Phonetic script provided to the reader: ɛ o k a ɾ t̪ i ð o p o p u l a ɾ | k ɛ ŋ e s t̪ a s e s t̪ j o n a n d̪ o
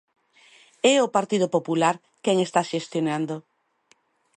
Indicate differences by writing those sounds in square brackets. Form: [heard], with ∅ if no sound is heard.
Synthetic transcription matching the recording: ɛ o [p] a ɾ t̪ i ð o p o p u l a ɾ | k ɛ ŋ e s t̪ a [ʃ] e s t̪ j o n a n d̪ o